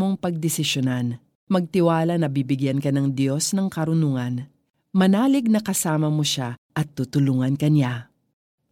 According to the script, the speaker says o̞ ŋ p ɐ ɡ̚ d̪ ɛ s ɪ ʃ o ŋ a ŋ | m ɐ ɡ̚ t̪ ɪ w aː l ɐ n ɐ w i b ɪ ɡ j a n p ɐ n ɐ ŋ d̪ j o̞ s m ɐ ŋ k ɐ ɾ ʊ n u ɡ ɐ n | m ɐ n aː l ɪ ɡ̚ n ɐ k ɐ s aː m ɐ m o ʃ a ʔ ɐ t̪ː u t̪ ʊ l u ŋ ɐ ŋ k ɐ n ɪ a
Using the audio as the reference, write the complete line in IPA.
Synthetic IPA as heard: o̞ ŋ p ɐ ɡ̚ d̪ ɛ s ɪ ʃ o n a n | m ɐ ɡ̚ t̪ ɪ w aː l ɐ n ɐ b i b ɪ ɡ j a n k ɐ n ɐ ŋ d̪ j o̞ s n ɐ ŋ k ɐ ɾ ʊ n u ŋ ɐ n | m ɐ n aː l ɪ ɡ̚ n ɐ k ɐ s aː m ɐ m o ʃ a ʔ ɐ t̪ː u t̪ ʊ l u ŋ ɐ n k ɐ n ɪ a